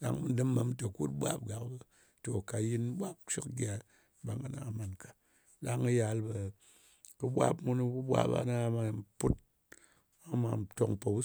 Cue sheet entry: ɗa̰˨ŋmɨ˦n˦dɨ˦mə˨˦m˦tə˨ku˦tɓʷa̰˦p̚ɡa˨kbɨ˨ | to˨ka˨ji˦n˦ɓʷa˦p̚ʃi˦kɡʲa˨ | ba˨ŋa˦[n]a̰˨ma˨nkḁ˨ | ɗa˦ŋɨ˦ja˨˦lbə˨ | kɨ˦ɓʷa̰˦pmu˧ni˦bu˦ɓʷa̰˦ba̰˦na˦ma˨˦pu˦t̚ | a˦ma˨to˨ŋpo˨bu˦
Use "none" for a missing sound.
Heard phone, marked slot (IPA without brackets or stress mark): n